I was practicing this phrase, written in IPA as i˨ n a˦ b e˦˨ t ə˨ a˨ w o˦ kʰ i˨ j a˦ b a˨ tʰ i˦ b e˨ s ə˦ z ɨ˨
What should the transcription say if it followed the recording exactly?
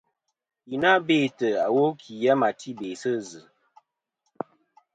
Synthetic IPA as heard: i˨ n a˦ b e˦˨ t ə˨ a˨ w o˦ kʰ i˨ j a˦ m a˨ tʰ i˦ b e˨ s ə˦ z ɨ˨